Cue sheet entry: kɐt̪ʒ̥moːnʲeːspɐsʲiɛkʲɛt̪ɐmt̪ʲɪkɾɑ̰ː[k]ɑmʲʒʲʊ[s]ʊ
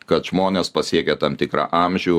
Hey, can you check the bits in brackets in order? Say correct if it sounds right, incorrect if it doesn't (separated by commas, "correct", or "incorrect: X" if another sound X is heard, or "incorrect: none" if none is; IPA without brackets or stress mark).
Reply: incorrect: ʔ, incorrect: none